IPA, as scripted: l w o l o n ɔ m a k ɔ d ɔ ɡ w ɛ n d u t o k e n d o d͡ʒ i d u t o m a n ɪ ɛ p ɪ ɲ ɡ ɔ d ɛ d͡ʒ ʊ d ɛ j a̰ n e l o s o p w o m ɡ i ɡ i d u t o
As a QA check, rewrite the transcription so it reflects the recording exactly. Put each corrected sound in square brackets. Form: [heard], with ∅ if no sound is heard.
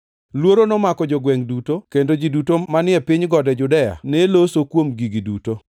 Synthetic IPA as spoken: l w o [ɾ] o n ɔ m a k ɔ [d͡ʒ] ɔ ɡ w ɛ [ŋ] d u t o k e n d o d͡ʒ i d u t o m a n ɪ ɛ p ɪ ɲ ɡ ɔ d ɛ d͡ʒ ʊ d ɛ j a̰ n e l o s o [k] w o m ɡ i ɡ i d u t o

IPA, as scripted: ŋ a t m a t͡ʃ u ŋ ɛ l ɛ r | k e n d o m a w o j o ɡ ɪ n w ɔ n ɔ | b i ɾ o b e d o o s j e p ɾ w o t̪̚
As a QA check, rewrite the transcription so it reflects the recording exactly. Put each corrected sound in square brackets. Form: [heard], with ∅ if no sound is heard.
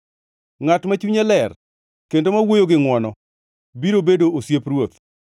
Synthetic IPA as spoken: ŋ a t m a t͡ʃ u [ɲ] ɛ l ɛ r | k e n d o m a w o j o ɡ ɪ [ŋ] w ɔ n ɔ | b i ɾ o b e d o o s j e p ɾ w o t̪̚

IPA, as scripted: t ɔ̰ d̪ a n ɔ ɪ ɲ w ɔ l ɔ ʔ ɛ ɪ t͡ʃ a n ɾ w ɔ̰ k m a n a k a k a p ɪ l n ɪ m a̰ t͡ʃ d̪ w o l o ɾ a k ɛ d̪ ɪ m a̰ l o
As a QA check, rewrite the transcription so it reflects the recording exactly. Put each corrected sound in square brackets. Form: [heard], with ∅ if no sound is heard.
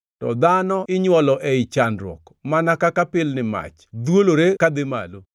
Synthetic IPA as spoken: t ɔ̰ d̪ a n ɔ ɪ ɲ w ɔ l ɔ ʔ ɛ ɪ t͡ʃ a n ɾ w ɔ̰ k m a n a k a k a p ɪ l n ɪ m a̰ t͡ʃ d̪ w o l o ɾ [e] k [a] d̪ ɪ m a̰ l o

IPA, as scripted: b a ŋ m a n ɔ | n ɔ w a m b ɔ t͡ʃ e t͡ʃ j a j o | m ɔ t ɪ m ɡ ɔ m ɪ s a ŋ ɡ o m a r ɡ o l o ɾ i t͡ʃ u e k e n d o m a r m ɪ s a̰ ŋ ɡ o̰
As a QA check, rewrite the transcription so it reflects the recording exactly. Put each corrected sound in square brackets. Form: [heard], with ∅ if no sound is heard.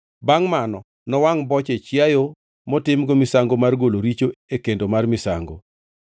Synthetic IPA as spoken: b a ŋ m a n ɔ | n ɔ w a [ŋ] b ɔ t͡ʃ e t͡ʃ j a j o | m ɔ t ɪ m ɡ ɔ m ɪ s a ŋ ɡ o m a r ɡ o l o ɾ i t͡ʃ [o] e k e n d o m a r m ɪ s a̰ ŋ ɡ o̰

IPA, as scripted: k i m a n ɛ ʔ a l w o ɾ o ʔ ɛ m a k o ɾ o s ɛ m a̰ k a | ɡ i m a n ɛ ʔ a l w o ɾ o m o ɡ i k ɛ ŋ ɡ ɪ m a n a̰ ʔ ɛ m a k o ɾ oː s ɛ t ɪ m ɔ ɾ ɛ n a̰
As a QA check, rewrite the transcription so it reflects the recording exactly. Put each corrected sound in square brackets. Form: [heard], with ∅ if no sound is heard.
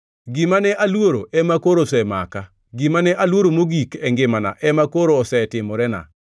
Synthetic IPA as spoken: [ɡ] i m a n ɛ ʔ a l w o ɾ o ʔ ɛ m a k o ɾ o s ɛ m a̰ k a | ɡ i m a n ɛ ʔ a l w o ɾ o m o ɡ i k ɛ ŋ ɡ ɪ m a n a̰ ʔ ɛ m a k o ɾ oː s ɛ t ɪ m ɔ ɾ ɛ n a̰

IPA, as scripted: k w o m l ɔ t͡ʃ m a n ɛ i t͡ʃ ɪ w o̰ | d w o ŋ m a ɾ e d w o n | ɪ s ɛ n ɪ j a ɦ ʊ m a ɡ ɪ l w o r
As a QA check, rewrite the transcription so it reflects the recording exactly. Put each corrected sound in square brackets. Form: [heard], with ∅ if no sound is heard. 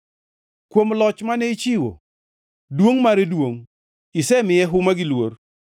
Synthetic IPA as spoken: k w o m l ɔ t͡ʃ m a n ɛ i t͡ʃ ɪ w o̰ | d w o ŋ m a ɾ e d w o [ŋ] | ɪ s ɛ [m] ɪ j [ɛ] ɦ ʊ m a ɡ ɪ l w o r

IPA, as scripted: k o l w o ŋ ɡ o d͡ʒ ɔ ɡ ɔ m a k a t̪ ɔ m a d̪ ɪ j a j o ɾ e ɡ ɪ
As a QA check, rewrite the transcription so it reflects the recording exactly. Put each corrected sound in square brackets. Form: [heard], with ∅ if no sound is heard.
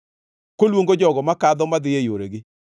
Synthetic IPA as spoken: k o l w o ŋ ɡ o d͡ʒ ɔ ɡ ɔ m a k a [d̪] ɔ m a d̪ ɪ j [e] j o ɾ e ɡ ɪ

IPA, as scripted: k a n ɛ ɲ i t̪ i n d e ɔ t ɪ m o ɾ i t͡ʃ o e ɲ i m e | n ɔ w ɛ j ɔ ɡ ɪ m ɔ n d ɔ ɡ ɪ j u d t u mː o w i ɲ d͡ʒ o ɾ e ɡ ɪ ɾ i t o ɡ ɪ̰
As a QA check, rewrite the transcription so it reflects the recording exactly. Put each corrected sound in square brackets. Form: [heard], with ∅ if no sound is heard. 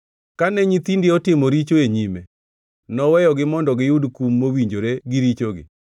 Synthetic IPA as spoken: k a n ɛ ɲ i t̪ i n d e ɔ t ɪ m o ɾ i t͡ʃ o e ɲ i m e | n ɔ w ɛ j ɔ ɡ ɪ m ɔ n d ɔ ɡ ɪ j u d [k] u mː o w i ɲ d͡ʒ o ɾ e ɡ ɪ ɾ i [t͡ʃ] o ɡ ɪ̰

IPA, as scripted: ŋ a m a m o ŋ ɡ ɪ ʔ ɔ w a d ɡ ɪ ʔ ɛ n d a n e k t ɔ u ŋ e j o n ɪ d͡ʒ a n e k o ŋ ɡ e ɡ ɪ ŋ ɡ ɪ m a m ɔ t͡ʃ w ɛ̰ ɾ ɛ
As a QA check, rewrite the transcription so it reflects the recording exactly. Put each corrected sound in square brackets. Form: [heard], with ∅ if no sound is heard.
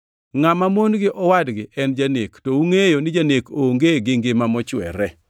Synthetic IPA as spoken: ŋ a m a m o [n] ɡ ɪ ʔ ɔ w a d ɡ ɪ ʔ ɛ n [d͡ʒ] a n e k t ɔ u ŋ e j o n ɪ d͡ʒ a n e k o ŋ ɡ e ɡ ɪ ŋ ɡ ɪ m a m ɔ t͡ʃ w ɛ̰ ɾ ɛ

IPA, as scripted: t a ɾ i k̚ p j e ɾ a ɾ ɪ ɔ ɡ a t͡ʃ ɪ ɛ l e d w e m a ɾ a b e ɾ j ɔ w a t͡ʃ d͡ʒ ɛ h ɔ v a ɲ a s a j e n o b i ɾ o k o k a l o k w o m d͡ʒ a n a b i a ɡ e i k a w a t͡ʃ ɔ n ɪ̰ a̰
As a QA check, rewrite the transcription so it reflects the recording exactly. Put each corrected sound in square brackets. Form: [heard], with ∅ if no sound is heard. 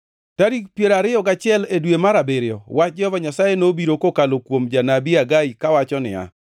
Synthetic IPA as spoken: t a ɾ i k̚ p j e ɾ a ɾ ɪ ɔ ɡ a t͡ʃ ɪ ɛ l e d w e m a ɾ a b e ɾ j ɔ w a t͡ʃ d͡ʒ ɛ h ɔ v a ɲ a s a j e n o b i ɾ o k o k a l o k w o m d͡ʒ a n a b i a ɡ [a] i k a w a t͡ʃ ɔ n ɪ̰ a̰

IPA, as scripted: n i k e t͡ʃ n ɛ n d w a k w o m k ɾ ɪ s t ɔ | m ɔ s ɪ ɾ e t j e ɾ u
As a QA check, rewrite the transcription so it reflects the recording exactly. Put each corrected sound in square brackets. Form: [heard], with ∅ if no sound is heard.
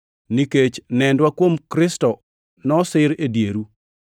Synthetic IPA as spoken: n i k e t͡ʃ n ɛ n d w a k w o m k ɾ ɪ s t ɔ | [n] ɔ s ɪ ɾ e [d] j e ɾ u

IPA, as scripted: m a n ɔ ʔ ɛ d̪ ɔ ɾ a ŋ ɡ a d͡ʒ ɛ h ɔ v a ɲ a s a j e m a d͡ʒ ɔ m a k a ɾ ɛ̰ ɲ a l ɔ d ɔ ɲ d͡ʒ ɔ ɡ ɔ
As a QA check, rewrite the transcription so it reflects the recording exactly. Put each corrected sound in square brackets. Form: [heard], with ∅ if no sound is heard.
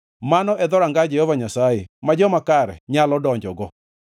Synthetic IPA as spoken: m a n ɔ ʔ ɛ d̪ ɔ ɾ a ŋ ɡ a d͡ʒ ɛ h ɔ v a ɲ a s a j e m a d͡ʒ ɔ m a k a ɾ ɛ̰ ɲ a l ɔ d ɔ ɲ d͡ʒ ɔ ɡ ɔ

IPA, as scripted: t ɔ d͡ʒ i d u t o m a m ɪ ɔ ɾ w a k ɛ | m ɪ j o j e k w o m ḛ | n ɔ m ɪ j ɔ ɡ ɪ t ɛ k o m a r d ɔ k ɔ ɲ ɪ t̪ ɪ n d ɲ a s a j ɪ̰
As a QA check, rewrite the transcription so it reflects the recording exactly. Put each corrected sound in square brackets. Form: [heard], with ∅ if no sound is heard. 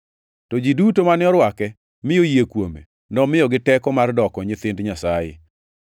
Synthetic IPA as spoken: t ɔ d͡ʒ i d u t o m a [n] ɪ ɔ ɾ w a k ɛ | m ɪ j o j e k w o m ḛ | n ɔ m ɪ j ɔ ɡ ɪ t ɛ k [ɔ] m a r d ɔ k ɔ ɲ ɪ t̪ ɪ n d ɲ a s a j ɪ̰

